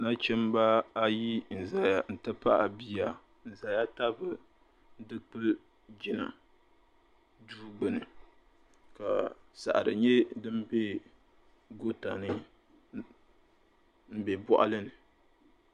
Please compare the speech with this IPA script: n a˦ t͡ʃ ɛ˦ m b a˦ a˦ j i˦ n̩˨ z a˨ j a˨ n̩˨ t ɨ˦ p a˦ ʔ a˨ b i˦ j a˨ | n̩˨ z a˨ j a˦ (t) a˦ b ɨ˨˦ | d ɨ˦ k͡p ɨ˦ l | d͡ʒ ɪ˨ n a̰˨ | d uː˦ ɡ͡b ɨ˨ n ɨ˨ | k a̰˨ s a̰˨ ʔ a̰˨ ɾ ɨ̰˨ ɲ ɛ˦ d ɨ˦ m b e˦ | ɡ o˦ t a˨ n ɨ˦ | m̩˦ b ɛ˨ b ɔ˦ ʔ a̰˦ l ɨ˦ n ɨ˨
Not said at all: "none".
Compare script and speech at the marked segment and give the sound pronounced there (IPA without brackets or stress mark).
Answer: t